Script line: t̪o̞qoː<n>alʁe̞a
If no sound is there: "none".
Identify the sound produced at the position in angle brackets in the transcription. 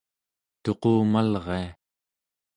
m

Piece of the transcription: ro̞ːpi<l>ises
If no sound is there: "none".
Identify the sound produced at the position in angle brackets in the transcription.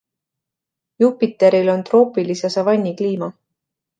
l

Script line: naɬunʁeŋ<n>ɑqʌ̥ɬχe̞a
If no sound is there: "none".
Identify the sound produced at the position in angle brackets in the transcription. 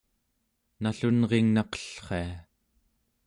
n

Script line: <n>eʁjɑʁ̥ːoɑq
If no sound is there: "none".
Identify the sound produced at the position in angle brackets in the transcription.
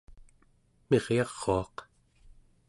m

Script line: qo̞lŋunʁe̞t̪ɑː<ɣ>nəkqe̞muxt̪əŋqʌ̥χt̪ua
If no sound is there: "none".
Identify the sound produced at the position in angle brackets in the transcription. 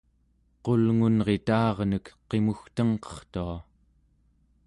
ʁ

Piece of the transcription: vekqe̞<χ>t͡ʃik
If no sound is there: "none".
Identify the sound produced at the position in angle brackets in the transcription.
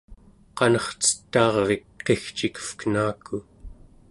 x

